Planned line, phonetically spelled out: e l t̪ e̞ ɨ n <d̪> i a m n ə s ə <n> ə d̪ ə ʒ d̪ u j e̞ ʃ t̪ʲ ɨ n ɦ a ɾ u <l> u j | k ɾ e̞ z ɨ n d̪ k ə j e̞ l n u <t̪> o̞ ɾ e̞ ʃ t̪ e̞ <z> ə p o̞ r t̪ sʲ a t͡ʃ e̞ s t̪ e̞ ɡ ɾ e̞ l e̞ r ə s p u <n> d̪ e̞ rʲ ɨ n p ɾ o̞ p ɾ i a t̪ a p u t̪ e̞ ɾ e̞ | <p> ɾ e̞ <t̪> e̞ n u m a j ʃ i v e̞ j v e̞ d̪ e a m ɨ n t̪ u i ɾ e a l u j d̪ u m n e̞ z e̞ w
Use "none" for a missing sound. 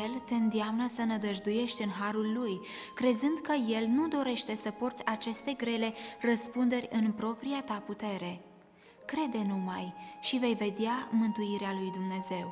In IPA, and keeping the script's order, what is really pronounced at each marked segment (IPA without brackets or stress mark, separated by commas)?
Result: d̪, n, lː, d̪, s, n, k, d̪